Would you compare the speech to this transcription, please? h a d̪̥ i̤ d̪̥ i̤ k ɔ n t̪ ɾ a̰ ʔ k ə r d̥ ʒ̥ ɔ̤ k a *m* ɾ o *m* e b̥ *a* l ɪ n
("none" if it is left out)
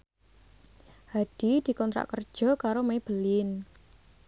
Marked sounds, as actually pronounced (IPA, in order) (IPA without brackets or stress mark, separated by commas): none, m, ə